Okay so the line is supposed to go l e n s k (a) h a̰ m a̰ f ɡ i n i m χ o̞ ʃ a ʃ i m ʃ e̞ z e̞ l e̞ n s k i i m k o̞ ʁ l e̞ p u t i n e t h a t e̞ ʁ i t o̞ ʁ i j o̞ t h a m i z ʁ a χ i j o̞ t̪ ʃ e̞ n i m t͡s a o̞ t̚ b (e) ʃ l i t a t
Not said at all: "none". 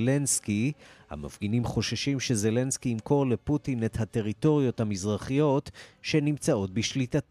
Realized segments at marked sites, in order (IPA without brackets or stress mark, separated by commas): i, i